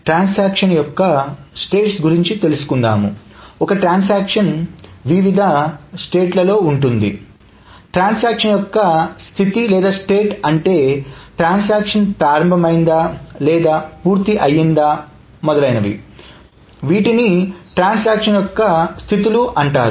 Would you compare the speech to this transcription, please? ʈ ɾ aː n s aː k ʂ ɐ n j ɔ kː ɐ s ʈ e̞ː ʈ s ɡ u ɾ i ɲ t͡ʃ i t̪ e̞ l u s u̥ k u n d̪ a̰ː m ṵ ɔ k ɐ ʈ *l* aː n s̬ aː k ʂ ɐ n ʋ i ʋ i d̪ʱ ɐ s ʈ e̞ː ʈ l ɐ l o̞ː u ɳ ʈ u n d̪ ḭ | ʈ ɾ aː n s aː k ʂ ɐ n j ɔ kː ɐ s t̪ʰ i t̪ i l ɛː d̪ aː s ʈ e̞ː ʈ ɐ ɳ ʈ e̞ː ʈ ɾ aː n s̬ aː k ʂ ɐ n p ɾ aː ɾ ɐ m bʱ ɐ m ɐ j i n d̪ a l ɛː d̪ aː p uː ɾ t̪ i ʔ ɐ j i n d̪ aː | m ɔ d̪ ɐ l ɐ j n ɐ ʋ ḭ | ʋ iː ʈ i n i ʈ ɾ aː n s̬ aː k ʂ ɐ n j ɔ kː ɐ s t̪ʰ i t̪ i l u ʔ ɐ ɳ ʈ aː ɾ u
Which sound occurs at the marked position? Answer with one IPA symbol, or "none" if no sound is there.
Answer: ɾ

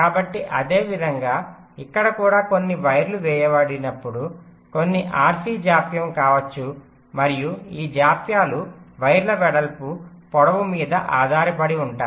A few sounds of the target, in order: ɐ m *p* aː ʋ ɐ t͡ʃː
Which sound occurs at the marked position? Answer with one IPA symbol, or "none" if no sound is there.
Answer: k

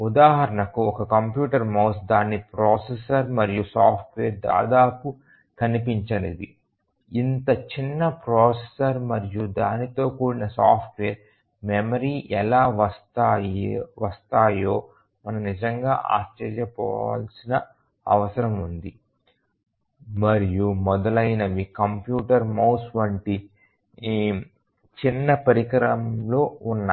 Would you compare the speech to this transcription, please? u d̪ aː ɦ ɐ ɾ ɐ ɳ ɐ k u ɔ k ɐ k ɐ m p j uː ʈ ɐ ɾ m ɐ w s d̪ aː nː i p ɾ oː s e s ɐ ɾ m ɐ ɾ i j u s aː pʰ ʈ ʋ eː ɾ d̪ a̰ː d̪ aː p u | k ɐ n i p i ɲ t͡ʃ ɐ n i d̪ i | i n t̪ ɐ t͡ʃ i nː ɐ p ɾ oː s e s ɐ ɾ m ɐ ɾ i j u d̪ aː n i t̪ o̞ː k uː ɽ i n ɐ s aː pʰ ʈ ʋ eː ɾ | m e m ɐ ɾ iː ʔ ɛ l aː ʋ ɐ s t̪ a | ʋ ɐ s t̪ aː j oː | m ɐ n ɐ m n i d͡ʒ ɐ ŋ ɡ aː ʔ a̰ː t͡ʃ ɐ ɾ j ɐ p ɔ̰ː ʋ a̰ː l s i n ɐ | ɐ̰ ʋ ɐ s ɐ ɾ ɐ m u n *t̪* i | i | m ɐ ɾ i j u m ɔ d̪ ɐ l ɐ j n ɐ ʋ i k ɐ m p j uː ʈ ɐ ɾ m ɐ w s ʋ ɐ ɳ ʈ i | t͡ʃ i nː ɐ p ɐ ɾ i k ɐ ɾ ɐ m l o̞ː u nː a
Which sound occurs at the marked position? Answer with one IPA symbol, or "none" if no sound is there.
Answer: d̪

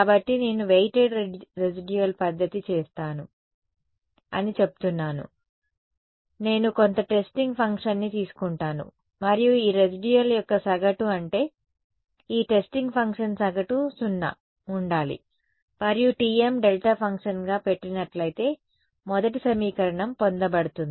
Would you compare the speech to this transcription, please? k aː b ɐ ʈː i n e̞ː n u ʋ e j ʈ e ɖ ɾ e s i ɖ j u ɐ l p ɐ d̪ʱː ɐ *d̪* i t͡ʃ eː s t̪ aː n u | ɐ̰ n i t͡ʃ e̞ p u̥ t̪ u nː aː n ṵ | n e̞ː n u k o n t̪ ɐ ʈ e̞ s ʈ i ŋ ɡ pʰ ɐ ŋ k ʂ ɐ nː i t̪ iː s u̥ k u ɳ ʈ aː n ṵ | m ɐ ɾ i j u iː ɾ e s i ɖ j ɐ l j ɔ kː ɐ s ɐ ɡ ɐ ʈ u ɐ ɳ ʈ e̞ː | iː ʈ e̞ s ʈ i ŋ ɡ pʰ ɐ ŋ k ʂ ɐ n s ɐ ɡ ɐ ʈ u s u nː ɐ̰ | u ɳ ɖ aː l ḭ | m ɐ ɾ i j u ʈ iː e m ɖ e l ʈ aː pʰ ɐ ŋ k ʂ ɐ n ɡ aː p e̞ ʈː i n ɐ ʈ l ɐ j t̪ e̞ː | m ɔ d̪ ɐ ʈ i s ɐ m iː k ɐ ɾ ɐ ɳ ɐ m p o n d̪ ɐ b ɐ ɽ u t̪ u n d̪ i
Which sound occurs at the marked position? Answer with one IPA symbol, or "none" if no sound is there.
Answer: t̪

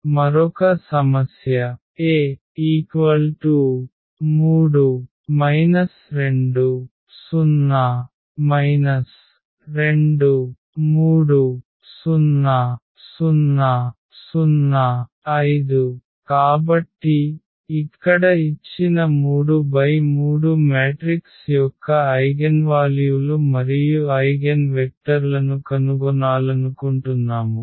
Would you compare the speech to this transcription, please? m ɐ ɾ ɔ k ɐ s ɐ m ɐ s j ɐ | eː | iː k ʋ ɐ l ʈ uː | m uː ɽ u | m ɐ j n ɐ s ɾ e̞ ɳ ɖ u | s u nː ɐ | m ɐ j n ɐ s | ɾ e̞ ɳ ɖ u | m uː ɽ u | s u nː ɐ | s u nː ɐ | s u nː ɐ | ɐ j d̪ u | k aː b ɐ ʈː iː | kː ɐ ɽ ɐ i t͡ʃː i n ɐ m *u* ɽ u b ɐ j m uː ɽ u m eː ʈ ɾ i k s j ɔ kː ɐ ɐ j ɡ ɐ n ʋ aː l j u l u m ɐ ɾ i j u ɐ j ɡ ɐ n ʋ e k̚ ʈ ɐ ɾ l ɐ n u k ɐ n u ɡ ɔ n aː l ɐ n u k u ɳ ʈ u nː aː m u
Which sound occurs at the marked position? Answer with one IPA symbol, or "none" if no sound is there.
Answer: uː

